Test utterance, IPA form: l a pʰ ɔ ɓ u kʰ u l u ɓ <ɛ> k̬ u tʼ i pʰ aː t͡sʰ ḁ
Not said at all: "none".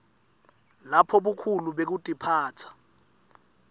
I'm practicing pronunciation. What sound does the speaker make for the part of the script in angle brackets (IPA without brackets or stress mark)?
e